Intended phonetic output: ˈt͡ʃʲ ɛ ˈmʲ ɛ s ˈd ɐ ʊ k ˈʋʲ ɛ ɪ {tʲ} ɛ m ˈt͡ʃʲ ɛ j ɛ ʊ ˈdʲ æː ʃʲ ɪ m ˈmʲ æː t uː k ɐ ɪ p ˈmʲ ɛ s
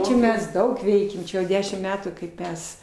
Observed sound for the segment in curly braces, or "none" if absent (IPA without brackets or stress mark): kʲ